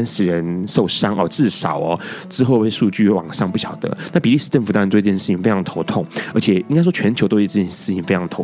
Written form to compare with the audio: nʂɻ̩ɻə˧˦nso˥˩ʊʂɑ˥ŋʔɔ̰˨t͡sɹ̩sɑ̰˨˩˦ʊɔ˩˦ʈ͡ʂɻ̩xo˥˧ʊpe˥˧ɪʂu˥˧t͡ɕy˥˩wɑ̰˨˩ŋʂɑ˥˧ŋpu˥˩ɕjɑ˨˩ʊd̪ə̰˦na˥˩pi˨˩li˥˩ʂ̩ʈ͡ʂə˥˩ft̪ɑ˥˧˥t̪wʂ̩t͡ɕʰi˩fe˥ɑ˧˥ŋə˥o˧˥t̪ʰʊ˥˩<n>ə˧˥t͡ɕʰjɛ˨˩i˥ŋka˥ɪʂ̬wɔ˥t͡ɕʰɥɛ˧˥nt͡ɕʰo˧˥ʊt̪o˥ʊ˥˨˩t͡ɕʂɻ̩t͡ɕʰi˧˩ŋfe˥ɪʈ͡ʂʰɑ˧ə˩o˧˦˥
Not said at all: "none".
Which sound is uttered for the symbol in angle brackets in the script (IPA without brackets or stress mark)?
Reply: ŋ